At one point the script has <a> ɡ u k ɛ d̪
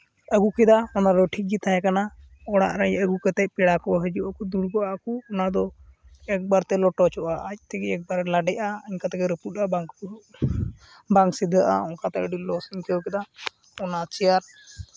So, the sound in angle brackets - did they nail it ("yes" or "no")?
no